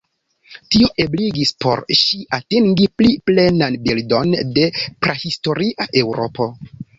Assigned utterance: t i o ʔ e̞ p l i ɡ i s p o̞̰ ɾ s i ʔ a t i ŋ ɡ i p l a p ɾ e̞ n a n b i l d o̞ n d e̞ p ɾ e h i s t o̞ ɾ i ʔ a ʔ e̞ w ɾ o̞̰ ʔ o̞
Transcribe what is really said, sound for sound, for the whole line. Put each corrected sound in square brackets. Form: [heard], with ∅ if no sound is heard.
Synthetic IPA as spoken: t i o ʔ e̞ [b] l i ɡ i s p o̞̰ ɾ [ʃ] i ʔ a t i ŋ ɡ i p l [i] p [l] e̞ n a n b i l d o̞ n d e̞ p ɾ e h i s t o̞ ɾ i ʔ a ʔ e̞ w ɾ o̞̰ [p] o̞